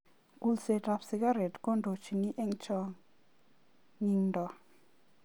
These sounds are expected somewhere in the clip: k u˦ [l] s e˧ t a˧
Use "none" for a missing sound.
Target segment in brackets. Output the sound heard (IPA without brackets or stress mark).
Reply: l